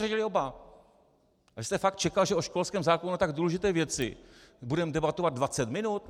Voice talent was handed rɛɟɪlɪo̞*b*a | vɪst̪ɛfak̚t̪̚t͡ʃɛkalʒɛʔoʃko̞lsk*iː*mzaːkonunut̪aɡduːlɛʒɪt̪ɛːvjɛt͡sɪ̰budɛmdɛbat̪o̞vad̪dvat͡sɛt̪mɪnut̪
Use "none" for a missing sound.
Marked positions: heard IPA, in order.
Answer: b, ɛː

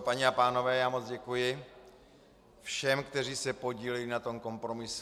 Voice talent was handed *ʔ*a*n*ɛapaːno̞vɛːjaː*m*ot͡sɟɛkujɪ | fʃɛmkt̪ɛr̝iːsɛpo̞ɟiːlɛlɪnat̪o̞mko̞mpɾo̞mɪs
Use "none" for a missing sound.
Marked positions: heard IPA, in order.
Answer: p, ɲ, m

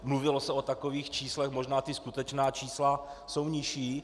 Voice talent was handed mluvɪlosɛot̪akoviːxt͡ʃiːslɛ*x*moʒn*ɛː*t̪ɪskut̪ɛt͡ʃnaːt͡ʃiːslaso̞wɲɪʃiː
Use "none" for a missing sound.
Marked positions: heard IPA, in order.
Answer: x, aː

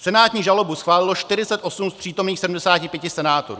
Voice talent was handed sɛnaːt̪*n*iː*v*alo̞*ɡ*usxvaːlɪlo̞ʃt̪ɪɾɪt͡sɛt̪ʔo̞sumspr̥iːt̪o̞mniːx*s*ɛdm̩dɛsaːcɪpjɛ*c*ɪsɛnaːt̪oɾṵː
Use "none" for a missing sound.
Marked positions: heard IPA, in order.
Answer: ɲ, ʒ, b, s, c

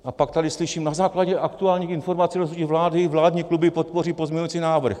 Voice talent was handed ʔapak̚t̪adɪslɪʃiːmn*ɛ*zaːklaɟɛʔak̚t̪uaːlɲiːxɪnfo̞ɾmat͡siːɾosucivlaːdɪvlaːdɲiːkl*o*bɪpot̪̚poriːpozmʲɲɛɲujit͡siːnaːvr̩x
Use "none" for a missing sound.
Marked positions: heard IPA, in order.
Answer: a, u

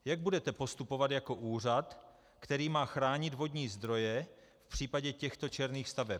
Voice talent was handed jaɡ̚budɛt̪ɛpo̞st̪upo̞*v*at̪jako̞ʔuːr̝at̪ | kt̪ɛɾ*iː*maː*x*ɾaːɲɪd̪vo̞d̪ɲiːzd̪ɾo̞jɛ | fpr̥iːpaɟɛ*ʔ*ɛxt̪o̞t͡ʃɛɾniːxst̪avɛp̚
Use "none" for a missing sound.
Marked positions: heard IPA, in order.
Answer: v, iː, x, c

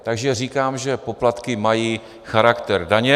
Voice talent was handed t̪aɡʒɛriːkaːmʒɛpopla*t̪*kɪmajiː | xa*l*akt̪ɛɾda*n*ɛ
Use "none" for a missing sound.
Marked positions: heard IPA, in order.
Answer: t̪, ɾ, ɲ

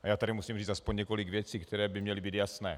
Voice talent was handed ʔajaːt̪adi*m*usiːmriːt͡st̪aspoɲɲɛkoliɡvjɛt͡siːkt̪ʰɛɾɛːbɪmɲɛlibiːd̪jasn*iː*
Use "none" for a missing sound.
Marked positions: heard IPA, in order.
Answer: m, ɛː

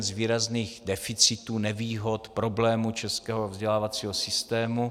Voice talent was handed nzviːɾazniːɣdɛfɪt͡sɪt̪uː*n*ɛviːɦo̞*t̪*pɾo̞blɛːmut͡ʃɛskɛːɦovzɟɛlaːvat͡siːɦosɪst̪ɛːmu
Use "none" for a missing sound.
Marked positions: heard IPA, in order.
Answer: n, t̪

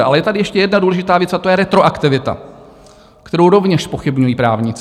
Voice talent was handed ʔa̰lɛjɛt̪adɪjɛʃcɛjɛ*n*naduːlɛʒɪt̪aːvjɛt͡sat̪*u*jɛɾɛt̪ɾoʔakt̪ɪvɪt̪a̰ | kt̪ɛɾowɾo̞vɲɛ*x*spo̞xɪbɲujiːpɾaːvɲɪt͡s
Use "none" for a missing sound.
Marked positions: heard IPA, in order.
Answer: d, o, ʃ

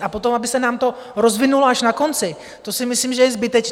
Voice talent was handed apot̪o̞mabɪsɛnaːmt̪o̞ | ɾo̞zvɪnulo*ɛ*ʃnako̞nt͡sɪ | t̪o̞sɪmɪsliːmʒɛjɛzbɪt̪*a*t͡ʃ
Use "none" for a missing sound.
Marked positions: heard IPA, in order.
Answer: a, ɛ

